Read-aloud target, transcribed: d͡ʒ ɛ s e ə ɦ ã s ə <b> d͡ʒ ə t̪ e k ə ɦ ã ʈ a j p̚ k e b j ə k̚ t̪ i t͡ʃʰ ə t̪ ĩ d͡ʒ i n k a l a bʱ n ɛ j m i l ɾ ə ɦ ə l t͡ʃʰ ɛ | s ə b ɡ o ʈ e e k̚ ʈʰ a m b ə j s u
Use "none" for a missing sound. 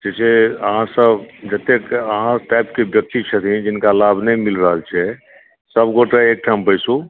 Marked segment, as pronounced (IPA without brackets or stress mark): b